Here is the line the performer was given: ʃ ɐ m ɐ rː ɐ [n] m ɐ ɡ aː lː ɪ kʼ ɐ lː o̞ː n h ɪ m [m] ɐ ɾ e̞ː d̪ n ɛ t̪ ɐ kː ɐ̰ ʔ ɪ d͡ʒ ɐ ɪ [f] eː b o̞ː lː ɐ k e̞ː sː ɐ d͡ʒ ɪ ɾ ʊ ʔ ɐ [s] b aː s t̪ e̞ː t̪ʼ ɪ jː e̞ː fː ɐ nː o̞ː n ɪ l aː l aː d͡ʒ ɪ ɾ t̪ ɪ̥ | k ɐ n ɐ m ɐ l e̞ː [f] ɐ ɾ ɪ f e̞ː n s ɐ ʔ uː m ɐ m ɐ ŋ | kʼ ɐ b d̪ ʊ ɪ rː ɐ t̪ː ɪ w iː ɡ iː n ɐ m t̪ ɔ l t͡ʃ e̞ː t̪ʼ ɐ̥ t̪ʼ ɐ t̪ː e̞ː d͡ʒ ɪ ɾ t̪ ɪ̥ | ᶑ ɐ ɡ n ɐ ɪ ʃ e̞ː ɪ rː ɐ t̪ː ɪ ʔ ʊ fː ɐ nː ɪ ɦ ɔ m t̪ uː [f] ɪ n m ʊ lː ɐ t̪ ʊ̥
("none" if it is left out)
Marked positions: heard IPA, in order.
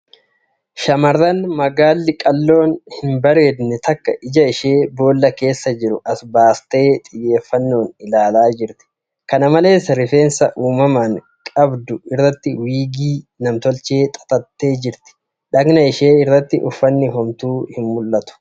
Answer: n, b, ʃ, s, s, h

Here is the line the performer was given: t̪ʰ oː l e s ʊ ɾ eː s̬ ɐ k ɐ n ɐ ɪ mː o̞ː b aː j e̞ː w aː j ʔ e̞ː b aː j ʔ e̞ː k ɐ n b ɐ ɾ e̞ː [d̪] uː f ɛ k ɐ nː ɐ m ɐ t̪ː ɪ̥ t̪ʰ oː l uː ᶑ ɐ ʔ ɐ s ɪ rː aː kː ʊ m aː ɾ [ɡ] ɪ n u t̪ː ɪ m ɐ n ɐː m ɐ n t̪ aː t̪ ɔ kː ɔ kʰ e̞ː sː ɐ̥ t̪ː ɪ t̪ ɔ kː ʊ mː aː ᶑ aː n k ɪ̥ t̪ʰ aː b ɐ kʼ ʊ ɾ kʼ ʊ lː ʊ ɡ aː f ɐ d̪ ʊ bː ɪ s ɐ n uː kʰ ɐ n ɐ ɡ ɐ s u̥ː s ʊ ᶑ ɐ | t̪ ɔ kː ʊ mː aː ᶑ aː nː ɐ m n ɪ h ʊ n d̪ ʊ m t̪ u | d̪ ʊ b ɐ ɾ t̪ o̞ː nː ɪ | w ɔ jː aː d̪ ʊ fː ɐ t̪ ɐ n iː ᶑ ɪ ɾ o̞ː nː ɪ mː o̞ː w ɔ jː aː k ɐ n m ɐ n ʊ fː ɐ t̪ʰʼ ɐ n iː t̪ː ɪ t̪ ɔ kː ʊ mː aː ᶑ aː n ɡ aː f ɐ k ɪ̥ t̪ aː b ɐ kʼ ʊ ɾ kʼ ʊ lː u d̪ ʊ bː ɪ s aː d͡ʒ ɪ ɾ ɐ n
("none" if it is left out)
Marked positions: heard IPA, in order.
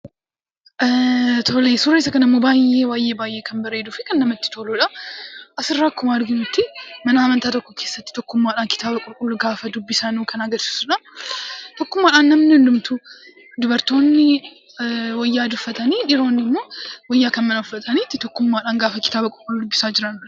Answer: d̪, ɡ

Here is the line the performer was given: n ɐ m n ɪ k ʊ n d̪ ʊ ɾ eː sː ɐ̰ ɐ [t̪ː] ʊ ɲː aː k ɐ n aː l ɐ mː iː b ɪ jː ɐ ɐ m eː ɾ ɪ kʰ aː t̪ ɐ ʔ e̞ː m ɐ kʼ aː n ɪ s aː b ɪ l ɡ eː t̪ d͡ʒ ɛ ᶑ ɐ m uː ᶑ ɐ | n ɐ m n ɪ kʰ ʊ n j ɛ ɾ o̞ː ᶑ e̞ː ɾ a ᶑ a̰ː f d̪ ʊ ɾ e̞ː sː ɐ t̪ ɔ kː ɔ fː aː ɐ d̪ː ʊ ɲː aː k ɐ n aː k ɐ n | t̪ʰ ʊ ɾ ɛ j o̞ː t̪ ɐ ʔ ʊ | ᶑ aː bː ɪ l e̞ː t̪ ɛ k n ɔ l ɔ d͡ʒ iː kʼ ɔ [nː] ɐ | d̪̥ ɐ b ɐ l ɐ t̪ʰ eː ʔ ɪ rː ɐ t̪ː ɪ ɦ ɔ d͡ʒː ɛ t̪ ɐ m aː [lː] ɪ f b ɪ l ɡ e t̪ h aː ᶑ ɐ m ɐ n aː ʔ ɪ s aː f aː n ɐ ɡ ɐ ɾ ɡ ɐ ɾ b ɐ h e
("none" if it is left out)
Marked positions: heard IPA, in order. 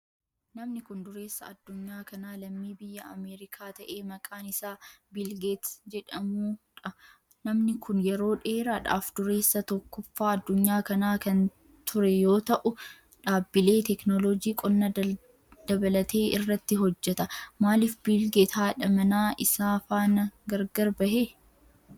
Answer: d̪ː, nː, l

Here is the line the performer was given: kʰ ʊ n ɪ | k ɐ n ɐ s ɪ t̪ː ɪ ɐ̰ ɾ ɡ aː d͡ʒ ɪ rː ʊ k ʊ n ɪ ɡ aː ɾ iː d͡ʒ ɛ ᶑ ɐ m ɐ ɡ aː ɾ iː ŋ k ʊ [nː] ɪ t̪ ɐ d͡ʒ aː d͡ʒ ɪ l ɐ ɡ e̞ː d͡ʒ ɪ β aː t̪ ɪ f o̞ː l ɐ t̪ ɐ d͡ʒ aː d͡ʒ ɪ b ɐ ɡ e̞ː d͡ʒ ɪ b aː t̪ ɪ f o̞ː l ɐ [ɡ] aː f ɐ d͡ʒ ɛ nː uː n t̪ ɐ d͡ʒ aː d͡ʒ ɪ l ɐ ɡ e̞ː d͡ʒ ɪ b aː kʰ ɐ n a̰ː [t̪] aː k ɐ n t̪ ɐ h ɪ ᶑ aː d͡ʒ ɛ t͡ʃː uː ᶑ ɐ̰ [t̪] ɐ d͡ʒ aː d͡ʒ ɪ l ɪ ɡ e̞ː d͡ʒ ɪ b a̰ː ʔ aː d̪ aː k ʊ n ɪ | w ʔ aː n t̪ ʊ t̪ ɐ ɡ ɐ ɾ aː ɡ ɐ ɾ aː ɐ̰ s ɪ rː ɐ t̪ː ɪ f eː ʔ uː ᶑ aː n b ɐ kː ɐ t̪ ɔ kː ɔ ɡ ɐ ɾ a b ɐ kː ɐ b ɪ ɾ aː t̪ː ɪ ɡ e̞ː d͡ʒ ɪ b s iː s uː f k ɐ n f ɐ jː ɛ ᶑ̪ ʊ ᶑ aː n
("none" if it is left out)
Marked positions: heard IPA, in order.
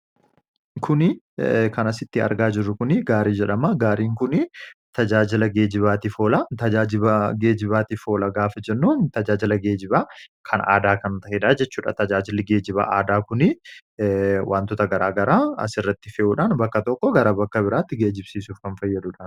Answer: n, ɡ, d̪, t̪

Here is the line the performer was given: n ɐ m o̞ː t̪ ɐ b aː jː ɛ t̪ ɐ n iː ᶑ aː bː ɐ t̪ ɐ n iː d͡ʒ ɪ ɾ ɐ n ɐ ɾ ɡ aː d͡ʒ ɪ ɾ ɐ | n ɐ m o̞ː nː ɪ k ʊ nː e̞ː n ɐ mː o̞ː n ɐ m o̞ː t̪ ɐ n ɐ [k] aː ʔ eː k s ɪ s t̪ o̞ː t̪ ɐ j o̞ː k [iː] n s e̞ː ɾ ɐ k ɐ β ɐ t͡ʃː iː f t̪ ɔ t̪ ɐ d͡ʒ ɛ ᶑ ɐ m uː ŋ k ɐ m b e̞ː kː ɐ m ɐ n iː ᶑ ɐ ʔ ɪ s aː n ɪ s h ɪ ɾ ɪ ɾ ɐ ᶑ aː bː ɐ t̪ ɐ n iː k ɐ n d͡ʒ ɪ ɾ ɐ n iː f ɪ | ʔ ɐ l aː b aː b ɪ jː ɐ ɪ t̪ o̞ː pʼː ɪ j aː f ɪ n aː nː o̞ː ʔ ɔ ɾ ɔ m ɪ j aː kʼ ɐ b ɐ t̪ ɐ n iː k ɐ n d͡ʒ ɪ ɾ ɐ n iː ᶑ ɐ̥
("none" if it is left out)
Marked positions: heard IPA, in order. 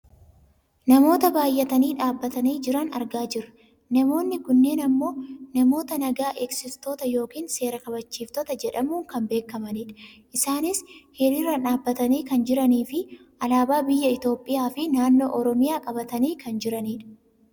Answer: ɡ, iː

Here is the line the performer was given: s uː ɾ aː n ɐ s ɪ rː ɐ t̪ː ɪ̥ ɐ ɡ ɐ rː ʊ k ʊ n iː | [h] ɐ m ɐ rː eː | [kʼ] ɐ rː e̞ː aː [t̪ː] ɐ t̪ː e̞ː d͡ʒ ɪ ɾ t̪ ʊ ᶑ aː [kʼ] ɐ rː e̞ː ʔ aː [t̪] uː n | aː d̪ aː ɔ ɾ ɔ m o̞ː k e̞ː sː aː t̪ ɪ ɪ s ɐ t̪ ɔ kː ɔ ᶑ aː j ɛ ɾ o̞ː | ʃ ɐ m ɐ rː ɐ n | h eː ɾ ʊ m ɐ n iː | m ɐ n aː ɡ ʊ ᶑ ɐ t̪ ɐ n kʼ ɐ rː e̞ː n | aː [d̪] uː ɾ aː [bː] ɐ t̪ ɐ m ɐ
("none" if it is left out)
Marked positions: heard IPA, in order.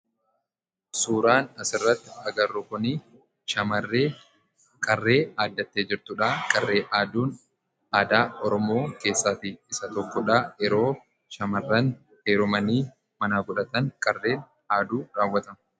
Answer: ʃ, kʼ, d̪ː, kʼ, d̪, d̪, wː

